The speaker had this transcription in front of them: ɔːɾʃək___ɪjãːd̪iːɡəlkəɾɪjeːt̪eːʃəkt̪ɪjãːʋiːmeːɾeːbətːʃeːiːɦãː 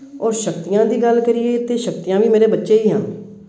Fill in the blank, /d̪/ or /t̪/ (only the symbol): t̪